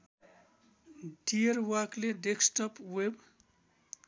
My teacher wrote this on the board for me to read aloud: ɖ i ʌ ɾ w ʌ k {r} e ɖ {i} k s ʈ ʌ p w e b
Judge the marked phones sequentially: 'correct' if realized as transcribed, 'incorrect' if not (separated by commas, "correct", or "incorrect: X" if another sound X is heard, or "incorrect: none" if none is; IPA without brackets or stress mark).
incorrect: l, incorrect: e